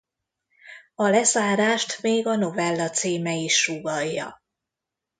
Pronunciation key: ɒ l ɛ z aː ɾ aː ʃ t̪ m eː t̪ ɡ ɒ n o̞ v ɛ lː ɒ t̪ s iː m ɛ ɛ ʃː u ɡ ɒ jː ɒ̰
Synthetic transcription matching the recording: ɒ l ɛ z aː ɾ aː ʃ t̪ m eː ɡ ɒ n o̞ v ɛ lː ɒ t̪ s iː m ɛ i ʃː u ɡ ɒ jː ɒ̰